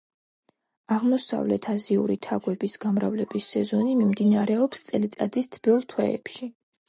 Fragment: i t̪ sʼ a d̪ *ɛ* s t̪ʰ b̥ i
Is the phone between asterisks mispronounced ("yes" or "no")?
yes